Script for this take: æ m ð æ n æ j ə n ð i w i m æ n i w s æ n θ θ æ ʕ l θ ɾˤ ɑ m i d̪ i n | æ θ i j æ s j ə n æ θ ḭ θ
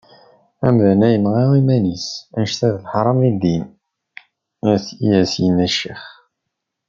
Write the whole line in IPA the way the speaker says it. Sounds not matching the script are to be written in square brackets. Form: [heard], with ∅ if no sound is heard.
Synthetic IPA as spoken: æ m ð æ n æ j ə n [ʁ] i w i m æ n i [∅] s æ n [ʃ] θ æ [ð] l [ħ] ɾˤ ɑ m i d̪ i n | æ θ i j æ s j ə n æ [ʃ] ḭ [χ]